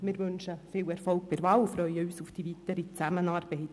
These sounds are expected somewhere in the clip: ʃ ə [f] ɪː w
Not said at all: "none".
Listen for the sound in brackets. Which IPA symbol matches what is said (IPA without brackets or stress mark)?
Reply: f